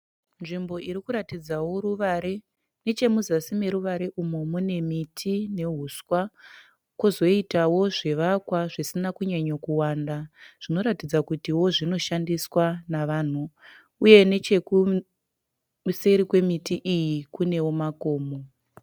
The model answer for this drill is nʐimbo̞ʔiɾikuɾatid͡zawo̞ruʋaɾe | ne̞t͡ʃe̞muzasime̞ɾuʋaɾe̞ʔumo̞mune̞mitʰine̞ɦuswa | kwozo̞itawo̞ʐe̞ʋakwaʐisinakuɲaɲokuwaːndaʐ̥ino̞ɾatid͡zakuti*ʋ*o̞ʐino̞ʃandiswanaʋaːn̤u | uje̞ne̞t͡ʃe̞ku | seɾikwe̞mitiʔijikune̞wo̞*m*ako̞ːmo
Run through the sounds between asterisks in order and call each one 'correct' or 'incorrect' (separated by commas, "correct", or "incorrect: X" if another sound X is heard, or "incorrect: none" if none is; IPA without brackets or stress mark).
incorrect: w, correct